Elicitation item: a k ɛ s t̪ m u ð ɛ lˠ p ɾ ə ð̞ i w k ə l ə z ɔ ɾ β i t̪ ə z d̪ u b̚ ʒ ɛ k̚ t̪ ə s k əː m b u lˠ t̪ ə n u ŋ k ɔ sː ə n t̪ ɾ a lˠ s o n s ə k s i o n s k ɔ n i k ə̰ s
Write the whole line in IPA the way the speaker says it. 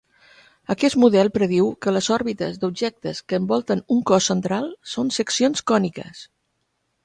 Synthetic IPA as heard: ə k ɛ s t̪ m u ð ɛ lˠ p ɾ ə ð̞ i w k ə l ə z ɔ ɾ β i t̪ ə z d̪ u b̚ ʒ ɛ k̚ t̪ ə s k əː m b ɔ lˠ t̪ ə n u ŋ k ɔ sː ə n t̪ ɾ a lˠ s o n s ə k s i o n s k ɔ n i k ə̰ s